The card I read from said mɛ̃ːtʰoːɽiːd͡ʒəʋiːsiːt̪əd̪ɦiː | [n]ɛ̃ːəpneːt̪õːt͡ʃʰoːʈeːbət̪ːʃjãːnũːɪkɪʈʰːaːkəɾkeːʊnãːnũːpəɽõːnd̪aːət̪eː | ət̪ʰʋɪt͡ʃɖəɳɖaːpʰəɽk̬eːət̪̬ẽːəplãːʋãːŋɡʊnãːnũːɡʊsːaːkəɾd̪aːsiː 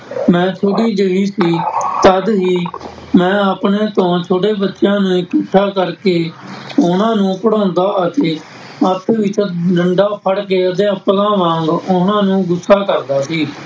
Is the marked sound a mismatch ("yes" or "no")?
yes